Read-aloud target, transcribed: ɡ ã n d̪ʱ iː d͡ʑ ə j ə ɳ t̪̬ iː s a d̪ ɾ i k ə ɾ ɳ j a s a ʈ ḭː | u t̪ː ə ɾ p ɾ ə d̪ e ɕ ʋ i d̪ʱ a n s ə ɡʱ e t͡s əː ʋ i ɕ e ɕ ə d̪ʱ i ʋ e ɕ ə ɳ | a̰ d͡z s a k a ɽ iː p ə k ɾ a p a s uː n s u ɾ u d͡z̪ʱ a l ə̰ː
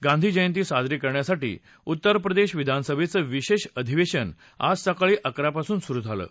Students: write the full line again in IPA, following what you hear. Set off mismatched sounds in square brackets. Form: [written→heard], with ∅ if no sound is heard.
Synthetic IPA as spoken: ɡ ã n d̪ʱ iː d͡ʑ ə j ə [ɳ→n] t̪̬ iː s a d̪ ɾ i k ə ɾ ɳ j a s a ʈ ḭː | u t̪ː ə ɾ p ɾ ə d̪ e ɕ ʋ i d̪ʱ a n s ə [ɡʱ→bʱ] e t͡s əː ʋ i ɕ e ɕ ə d̪ʱ i ʋ e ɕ ə [ɳ→n] | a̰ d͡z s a k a [ɽ→ɭ] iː [p→ʔ] ə k ɾ a p a s uː n s u ɾ u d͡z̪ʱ a l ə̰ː